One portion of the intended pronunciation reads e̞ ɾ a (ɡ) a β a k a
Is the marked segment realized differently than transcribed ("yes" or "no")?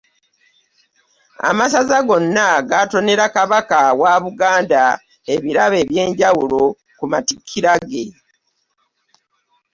yes